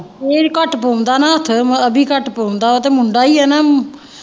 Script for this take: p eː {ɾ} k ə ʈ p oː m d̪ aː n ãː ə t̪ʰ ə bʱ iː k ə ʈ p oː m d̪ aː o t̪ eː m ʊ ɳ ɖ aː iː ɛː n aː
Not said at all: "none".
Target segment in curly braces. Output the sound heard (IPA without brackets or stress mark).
ɾ